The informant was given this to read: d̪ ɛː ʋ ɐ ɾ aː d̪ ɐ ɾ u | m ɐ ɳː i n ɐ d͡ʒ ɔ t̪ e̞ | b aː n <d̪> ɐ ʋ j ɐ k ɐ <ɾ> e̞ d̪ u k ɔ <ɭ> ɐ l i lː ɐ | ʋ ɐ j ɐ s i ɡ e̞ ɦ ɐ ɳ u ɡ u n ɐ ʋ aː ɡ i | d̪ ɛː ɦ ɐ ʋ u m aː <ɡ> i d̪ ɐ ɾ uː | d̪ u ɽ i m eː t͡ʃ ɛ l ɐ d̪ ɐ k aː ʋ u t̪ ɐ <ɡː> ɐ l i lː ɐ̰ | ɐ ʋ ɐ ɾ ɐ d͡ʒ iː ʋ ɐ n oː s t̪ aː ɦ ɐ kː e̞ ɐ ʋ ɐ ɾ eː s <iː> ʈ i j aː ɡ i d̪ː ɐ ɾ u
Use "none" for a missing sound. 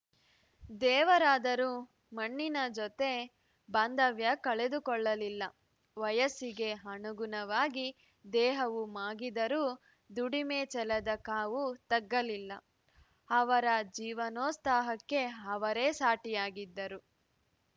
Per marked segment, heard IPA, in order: d̪, ɭ, ɭː, ɡ, ɡː, aː

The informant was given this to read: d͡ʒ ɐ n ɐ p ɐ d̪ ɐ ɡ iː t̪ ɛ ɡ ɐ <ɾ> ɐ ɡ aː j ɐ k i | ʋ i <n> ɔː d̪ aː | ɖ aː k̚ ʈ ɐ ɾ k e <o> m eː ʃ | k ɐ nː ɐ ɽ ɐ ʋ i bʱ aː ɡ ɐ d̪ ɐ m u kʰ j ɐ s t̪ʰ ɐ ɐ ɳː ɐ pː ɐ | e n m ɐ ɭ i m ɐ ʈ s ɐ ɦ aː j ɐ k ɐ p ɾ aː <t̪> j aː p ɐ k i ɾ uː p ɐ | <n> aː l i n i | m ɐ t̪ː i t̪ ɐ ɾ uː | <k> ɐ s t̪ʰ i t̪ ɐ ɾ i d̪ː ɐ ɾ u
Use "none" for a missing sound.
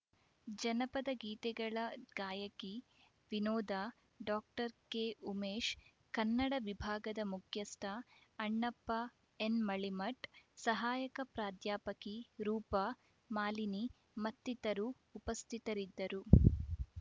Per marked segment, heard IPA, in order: ɭ, n, u, d̪, m, p

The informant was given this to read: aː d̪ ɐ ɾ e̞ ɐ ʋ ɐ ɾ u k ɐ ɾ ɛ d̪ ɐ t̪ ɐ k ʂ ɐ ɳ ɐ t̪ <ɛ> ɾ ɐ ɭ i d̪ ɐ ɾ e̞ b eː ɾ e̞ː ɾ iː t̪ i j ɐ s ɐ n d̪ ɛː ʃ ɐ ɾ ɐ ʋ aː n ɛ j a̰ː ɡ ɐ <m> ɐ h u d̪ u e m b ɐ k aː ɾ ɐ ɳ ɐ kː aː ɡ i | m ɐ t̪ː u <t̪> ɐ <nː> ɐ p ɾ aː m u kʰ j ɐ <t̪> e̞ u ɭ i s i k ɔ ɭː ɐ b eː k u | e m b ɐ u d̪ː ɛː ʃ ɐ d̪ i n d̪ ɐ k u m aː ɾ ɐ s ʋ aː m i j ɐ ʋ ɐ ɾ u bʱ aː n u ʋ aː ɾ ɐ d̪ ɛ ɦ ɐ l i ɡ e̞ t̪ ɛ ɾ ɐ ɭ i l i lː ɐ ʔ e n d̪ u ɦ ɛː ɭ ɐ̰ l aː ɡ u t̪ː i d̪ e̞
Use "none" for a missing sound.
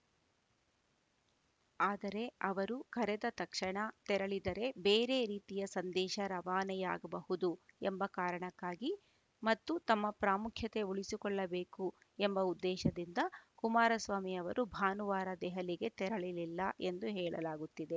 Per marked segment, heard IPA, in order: ɛ, b, t̪, mː, t̪

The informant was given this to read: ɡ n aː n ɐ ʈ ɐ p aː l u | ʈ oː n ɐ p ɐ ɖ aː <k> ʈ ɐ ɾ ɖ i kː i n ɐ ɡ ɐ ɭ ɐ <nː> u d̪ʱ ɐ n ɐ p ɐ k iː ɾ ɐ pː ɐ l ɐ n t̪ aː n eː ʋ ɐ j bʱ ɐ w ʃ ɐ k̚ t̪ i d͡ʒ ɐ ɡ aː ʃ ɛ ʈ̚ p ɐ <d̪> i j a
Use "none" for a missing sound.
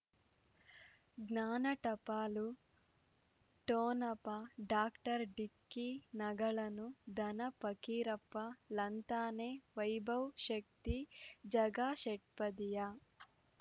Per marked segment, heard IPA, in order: k, n, d̪

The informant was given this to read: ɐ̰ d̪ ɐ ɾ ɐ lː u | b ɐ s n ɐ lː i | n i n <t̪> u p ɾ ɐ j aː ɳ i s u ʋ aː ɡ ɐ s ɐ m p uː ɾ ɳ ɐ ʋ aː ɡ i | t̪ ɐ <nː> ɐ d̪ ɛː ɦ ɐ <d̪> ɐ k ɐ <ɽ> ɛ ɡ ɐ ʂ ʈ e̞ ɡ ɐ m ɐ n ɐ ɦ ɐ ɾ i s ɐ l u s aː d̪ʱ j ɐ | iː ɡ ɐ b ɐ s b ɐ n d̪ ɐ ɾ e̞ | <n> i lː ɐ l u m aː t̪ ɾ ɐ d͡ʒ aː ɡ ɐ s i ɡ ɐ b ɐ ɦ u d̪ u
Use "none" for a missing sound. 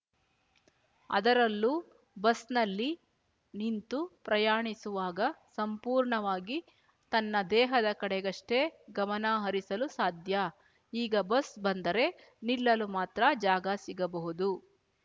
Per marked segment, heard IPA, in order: t̪, nː, d̪, ɽ, n

